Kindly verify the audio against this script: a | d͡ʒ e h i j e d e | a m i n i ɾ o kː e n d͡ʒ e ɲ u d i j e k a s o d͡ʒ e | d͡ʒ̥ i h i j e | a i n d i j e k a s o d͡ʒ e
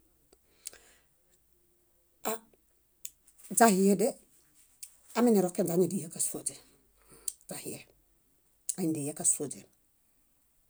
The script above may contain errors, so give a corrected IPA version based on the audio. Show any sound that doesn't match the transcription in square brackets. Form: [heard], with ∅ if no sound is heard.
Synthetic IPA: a | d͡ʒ [a] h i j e d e | a m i n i ɾ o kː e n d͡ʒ [a] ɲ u d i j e k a s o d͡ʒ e | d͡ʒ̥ [a] h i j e | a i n d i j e k a s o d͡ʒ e